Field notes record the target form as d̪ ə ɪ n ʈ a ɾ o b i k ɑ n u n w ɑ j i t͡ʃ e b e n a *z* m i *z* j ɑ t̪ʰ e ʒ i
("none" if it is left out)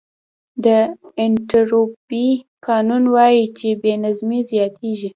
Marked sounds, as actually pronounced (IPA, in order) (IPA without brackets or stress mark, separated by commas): z, z